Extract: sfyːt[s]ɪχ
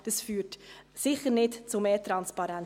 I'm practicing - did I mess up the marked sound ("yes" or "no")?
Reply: no